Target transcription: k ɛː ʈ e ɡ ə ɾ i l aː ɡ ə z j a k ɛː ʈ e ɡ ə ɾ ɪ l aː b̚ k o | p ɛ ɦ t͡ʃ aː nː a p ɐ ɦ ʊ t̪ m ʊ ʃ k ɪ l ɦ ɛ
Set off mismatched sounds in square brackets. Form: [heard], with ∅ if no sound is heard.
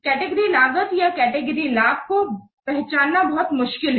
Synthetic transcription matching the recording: k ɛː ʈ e ɡ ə ɾ i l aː ɡ ə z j a k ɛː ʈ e ɡ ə ɾ [i] l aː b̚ k o | p ɛ ɦ t͡ʃ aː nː a [b] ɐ ɦ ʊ t̪ m ʊ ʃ k ɪ l ɦ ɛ

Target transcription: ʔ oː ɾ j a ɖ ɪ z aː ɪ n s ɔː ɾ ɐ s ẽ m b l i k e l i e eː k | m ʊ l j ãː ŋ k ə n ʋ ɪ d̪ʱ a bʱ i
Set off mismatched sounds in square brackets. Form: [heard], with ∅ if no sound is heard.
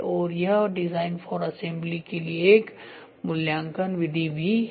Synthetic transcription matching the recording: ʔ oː ɾ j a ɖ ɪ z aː ɪ n [f] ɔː ɾ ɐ s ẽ m b l i k e l i e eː k | m ʊ l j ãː ŋ k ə n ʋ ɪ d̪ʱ [i] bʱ i

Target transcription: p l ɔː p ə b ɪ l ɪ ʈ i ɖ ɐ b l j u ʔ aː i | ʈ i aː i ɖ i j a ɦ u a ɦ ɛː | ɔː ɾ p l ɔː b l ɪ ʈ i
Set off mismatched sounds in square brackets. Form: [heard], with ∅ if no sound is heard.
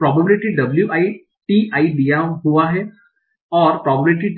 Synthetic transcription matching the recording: p [ɾ] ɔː [b] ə b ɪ l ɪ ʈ i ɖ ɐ b l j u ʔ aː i | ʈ i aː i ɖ i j a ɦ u a ɦ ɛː | ɔː ɾ p [ɾ] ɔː b l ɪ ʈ i

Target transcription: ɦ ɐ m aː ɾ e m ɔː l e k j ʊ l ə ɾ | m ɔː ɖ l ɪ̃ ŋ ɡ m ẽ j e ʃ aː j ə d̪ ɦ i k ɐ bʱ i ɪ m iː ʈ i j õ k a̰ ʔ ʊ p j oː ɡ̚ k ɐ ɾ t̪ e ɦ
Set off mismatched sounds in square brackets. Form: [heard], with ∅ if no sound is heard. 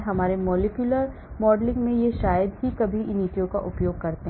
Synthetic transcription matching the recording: ɦ ɐ m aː ɾ e m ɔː l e k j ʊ l ə ɾ | m ɔː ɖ l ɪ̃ ŋ ɡ m ẽ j e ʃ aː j ə d̪ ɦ i k ɐ bʱ i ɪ [n] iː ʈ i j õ k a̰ ʔ ʊ p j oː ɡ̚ k ɐ ɾ t̪ e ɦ

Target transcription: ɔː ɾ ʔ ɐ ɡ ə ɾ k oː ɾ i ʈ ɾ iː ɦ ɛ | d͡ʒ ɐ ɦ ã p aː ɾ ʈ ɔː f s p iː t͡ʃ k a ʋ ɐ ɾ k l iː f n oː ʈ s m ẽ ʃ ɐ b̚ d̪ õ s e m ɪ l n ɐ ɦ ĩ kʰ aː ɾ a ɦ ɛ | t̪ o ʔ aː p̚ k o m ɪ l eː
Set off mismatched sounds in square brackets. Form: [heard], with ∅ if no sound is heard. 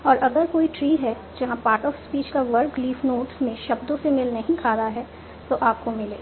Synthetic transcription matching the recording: ɔː ɾ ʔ ɐ ɡ ə ɾ k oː [∅] i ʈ ɾ iː ɦ ɛ | d͡ʒ ɐ ɦ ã p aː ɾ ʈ ɔː f s p iː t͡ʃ k a ʋ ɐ ɾ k l iː f n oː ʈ s m ẽ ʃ ɐ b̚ d̪ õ s e m ɪ l n ɐ ɦ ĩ kʰ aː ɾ a ɦ ɛ | t̪ o ʔ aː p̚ k o m ɪ l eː

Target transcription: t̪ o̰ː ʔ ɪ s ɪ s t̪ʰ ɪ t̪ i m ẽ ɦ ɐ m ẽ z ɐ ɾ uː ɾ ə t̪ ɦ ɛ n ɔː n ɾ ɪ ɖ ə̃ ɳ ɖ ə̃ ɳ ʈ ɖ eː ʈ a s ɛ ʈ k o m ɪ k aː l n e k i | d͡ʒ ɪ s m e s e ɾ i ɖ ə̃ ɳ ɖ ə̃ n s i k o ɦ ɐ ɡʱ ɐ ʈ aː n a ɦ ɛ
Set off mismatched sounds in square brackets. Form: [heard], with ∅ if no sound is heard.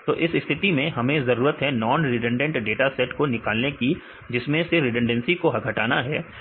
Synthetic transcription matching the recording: t̪ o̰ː ʔ ɪ s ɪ s t̪ʰ ɪ t̪ i m ẽ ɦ ɐ m ẽ z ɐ ɾ uː ɾ ə t̪ ɦ ɛ n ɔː n ɾ ɪ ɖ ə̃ ɳ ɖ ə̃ ɳ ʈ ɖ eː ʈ a s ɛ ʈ k o [n] ɪ k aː l n e k i | d͡ʒ ɪ s m [ẽ] s e ɾ [ɪ] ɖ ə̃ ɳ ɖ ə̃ n s i k o ɦ ɐ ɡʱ ɐ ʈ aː n a ɦ [ɛː]

